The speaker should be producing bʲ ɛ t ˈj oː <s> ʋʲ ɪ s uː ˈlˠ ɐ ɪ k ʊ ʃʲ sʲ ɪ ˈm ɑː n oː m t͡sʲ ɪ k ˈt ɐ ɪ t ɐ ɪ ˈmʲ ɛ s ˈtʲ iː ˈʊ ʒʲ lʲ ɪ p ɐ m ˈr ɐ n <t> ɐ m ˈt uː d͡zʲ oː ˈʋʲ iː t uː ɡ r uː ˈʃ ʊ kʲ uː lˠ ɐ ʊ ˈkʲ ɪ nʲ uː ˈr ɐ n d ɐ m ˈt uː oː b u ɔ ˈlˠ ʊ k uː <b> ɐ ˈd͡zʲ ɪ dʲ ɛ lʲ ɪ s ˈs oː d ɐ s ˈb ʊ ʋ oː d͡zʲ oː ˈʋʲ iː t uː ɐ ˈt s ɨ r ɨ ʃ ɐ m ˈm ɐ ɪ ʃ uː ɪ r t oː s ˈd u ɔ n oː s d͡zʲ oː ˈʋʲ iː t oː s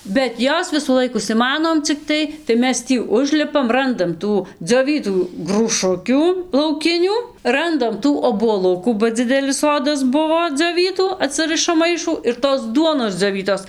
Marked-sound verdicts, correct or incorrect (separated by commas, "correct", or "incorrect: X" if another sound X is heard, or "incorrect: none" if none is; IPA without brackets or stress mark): correct, incorrect: d, correct